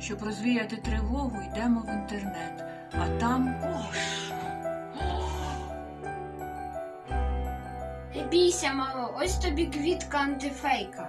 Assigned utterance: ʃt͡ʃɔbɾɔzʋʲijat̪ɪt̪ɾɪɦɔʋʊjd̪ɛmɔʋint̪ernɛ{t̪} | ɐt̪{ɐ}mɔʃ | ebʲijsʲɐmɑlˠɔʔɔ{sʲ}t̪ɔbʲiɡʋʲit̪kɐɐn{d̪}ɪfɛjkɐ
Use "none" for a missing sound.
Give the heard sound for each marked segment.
t̪, ɑ, sʲ, t̪

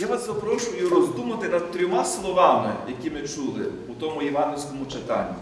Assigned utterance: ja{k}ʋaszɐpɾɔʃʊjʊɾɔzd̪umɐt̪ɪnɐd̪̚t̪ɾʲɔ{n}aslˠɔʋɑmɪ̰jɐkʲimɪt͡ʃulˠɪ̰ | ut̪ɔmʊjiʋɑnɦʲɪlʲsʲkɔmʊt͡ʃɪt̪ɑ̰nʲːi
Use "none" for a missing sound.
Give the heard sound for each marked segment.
none, m

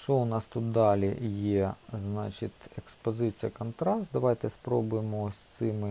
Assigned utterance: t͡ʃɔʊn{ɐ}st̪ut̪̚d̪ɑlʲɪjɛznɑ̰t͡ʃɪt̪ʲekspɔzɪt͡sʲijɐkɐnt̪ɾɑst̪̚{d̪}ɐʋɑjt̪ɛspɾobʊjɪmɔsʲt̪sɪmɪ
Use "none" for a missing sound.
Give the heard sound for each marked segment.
ɑ, d̪

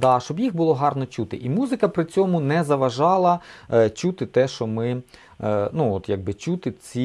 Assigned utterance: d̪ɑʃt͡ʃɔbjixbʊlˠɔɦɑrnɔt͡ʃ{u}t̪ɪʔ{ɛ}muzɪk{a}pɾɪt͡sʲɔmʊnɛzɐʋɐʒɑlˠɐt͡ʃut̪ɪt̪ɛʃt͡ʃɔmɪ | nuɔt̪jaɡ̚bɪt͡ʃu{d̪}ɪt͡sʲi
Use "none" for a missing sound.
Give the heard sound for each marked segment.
u, i, ɐ, t̪

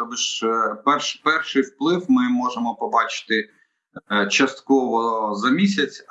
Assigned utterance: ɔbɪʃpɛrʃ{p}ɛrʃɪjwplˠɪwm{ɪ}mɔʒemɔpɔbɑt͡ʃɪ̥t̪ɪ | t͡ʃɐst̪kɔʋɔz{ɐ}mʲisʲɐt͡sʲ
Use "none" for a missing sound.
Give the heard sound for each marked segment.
p, ɪ, ɐ

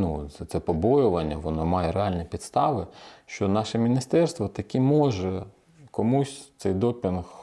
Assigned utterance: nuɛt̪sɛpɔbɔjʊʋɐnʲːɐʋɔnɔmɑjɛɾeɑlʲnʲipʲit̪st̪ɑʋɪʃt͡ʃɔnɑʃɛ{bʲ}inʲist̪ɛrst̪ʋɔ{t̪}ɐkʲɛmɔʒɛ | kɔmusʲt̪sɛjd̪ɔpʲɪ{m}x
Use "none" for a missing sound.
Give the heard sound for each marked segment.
mʲ, t̪, n

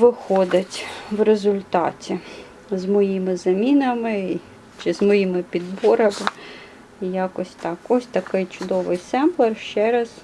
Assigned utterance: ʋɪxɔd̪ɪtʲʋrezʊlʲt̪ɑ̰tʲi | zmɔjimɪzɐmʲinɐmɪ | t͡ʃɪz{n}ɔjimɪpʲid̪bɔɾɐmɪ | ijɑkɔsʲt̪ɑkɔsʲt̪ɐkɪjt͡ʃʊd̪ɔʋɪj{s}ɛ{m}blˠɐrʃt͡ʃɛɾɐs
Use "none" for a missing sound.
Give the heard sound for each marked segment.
m, s, m

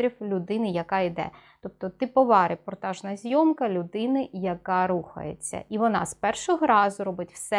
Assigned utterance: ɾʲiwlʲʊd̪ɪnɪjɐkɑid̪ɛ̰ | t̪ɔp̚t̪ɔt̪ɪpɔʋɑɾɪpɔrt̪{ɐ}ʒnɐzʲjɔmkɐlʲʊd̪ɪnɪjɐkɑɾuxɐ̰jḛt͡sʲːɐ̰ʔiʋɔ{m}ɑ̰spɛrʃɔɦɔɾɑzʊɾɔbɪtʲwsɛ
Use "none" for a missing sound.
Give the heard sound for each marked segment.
ɑ, n

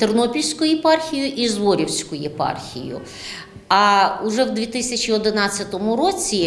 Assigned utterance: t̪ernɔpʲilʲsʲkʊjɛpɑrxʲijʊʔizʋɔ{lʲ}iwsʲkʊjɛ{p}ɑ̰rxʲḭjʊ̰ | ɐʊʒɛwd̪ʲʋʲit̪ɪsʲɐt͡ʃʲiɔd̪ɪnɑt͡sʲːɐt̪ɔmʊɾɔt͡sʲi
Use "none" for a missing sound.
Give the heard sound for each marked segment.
ɾʲ, p

